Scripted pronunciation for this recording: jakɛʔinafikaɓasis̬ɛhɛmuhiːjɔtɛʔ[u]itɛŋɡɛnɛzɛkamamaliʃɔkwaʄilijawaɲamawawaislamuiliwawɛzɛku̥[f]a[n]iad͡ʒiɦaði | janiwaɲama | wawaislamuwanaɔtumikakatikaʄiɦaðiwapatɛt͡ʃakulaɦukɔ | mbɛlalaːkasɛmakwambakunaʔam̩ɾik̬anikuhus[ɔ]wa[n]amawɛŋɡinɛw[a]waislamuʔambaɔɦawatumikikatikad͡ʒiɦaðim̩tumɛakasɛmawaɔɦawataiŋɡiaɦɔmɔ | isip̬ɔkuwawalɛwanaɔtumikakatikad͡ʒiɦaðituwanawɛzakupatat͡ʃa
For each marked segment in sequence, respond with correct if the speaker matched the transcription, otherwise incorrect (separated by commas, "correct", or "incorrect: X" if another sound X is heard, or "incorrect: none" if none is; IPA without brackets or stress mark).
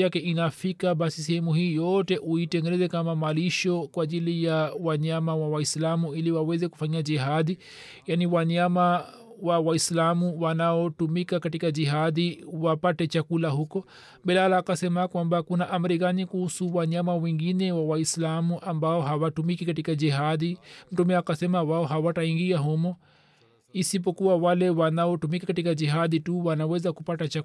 correct, correct, incorrect: ɲ, incorrect: u, incorrect: ɲ, correct